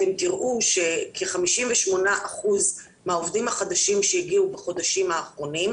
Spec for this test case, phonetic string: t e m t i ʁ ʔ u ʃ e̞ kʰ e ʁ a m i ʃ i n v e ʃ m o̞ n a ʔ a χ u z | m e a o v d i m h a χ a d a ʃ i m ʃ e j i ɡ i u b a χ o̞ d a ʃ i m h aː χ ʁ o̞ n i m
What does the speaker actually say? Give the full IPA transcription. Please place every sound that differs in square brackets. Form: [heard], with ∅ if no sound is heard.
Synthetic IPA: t e m t i ʁ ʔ u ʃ e̞ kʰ e [χ] a m i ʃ i [m] v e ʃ m o̞ n a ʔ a χ u z | m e a o v d i m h a χ a d a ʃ i m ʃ e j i ɡ i u b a χ o̞ d a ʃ i m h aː χ ʁ o̞ n i m